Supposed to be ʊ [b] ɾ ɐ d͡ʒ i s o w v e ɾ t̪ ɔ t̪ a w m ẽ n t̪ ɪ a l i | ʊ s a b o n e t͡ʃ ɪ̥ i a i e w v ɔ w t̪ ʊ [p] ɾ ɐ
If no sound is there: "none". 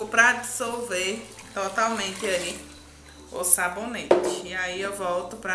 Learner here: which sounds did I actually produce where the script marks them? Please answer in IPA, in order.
p, p

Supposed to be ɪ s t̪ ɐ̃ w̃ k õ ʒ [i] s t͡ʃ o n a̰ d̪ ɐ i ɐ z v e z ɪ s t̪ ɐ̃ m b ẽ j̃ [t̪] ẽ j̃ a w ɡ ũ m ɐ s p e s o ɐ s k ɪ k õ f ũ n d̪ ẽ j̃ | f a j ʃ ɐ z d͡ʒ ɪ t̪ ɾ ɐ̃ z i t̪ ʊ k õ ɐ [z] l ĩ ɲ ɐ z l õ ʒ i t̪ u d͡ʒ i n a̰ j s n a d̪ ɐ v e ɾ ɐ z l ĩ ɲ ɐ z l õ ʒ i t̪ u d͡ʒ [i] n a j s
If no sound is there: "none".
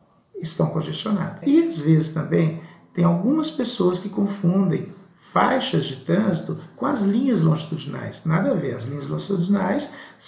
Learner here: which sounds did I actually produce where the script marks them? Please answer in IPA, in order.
e, t̪, z, i

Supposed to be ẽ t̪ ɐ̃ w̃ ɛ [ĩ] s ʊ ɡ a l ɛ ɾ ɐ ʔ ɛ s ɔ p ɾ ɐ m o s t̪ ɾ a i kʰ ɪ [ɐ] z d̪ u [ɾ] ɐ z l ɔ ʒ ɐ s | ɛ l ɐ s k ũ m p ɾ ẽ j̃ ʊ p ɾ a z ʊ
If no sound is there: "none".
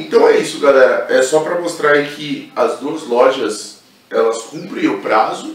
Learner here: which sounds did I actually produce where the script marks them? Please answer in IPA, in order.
i, ɐ, none

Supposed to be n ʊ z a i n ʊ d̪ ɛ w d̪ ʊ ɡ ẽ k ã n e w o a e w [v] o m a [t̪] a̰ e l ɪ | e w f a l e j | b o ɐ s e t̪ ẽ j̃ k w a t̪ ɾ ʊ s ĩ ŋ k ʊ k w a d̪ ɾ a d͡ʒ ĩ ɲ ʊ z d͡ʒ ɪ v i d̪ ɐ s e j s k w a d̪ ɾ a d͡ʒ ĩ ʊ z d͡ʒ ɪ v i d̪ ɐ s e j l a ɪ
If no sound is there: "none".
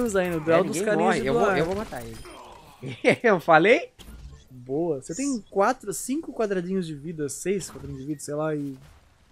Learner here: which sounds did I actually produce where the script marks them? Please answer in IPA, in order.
v, t̪

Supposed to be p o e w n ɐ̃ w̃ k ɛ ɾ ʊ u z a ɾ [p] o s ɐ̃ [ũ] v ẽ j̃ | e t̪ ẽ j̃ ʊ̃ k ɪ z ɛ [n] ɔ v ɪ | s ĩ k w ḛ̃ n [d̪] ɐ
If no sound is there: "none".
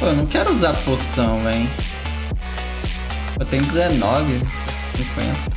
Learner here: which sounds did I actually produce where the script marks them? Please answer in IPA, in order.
p, w̃, n, t̪

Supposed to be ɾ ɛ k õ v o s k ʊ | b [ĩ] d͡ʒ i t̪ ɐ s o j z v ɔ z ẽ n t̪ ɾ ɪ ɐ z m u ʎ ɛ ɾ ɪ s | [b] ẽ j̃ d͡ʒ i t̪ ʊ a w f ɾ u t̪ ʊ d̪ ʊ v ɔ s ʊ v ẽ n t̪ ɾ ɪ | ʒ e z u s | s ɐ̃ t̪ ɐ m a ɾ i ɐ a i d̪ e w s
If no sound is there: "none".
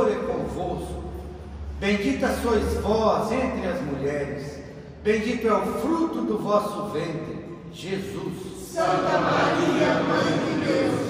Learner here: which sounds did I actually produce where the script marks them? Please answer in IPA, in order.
ẽ, b

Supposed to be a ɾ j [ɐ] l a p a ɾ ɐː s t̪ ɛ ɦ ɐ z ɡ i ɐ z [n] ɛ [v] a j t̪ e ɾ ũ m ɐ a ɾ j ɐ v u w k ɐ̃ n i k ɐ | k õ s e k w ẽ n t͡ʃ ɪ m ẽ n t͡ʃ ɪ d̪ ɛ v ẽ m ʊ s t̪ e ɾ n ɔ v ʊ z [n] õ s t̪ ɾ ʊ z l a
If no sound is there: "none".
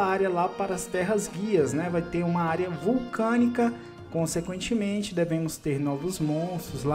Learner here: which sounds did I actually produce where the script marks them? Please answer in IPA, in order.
ɐ, n, v, m

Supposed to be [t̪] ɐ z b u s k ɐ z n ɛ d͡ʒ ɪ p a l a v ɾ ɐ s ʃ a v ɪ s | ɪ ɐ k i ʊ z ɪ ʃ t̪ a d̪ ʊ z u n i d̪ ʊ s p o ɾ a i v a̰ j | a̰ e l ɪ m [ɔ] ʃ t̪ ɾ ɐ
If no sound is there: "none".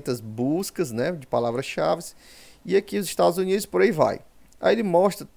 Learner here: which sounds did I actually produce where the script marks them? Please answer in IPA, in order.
t̪, ɔ

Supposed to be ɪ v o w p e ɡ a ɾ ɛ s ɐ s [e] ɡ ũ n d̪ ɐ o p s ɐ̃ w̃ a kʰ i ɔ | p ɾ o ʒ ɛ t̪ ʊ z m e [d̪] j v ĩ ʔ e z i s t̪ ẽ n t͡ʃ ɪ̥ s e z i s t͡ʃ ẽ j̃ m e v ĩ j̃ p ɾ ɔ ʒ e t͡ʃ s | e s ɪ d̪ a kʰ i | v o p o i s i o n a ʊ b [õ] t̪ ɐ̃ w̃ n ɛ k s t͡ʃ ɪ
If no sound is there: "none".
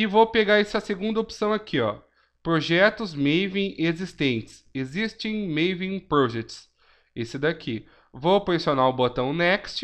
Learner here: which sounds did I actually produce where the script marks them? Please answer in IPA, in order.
e, none, o

